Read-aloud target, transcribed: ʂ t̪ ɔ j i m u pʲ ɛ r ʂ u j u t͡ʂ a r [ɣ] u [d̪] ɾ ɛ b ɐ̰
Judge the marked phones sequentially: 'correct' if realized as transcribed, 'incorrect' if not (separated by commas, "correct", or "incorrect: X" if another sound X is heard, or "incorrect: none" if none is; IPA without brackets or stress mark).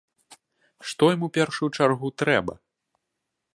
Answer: correct, incorrect: t̪